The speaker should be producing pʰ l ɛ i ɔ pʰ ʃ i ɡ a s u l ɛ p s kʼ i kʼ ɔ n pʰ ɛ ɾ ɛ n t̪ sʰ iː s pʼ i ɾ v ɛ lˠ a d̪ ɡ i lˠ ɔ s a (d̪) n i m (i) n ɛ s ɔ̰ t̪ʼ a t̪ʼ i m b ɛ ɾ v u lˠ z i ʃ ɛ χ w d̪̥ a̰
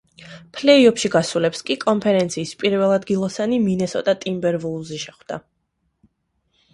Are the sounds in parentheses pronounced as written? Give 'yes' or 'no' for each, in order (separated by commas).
no, yes